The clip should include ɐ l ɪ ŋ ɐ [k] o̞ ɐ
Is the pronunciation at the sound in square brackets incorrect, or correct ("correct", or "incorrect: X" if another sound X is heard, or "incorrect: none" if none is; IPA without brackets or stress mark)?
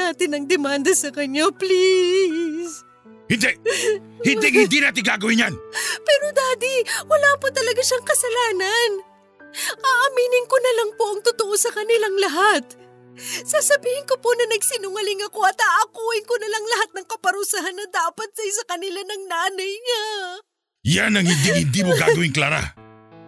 correct